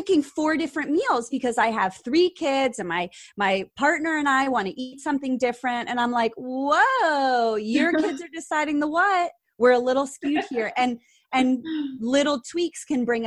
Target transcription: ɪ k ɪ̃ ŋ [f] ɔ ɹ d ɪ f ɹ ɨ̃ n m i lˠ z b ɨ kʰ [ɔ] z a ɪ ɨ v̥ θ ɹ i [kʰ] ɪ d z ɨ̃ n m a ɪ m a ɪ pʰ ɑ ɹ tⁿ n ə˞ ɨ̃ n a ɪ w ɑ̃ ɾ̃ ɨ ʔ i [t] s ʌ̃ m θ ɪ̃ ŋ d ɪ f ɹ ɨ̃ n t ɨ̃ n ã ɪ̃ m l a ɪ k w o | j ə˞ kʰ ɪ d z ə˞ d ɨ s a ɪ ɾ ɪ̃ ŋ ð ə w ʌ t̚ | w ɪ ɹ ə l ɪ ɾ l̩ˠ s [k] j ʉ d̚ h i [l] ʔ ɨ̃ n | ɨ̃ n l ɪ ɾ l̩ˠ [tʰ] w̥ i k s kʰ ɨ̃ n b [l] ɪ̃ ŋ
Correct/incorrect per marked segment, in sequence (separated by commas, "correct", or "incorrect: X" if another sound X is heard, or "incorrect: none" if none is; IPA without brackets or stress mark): correct, incorrect: ʌ, correct, correct, correct, incorrect: ɹ, correct, incorrect: ɹ